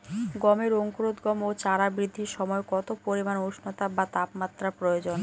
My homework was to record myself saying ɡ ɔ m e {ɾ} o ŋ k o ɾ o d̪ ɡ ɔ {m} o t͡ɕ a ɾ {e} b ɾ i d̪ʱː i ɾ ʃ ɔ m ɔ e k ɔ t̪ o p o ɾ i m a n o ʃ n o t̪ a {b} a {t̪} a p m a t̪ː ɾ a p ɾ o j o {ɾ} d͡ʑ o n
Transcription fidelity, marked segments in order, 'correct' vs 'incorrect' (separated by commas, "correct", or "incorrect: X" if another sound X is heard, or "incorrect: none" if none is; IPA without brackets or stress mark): correct, correct, incorrect: a, correct, correct, incorrect: none